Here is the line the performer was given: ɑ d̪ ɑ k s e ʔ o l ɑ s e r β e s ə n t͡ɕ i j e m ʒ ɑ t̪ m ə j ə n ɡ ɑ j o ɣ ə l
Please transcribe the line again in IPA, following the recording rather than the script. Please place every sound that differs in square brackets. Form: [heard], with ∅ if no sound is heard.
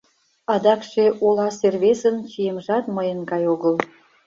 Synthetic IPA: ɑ d̪ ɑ k [ʃ] e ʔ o l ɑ s e r β e s ə n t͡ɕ i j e m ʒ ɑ t̪ m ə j ə n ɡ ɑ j o ɣ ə l